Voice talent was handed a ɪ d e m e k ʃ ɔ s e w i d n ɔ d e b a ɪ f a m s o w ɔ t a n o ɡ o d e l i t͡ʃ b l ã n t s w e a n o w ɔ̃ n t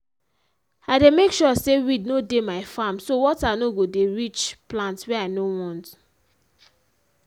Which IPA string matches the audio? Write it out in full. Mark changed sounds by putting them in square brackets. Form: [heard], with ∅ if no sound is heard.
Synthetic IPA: a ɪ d e m e k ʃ ɔ s e w i d n [o] d e [m] a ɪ f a m s o w ɔ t a n o ɡ o d e [ɹ] i t͡ʃ [p] l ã n t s w e a n o w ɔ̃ n t